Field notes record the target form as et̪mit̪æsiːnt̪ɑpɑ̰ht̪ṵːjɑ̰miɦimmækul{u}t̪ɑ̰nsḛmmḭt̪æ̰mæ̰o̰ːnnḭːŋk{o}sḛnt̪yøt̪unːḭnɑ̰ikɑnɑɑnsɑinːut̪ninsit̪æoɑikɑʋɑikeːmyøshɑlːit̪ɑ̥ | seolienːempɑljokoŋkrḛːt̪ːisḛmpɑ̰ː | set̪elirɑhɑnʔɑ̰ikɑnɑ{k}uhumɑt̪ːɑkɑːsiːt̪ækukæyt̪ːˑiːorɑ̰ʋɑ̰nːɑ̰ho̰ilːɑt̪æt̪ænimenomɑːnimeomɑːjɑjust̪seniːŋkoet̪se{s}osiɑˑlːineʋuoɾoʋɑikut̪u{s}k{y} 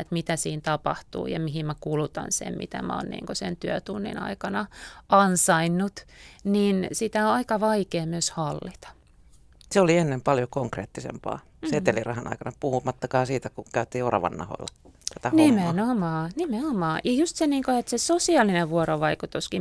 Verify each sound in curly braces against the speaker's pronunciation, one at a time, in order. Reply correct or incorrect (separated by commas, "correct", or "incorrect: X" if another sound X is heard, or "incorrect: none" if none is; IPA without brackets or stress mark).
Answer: correct, correct, incorrect: p, correct, correct, incorrect: i